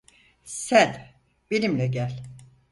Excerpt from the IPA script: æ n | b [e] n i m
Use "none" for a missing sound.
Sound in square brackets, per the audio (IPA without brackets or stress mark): e